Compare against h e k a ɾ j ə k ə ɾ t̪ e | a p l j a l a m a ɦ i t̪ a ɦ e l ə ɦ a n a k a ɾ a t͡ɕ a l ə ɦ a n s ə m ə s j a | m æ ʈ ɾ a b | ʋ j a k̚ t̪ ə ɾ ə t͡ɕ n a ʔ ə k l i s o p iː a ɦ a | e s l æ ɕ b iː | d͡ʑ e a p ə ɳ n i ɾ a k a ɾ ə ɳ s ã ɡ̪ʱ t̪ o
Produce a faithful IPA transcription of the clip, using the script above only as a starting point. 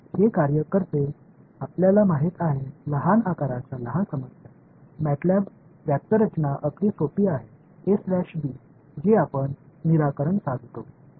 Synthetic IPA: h e k a ɾ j ə k ə ɾ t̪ e | a p l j a l a m a ɦ i t̪ a ɦ e l ə ɦ a n a k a ɾ a t͡ɕ a l ə ɦ a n s ə m ə s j a | m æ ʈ l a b | ʋ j a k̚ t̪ ə ɾ ə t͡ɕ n a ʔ ə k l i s o p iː a ɦ e | e s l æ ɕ b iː | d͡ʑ e a p ə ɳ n i ɾ a k ə ɾ ə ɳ s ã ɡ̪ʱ t̪ o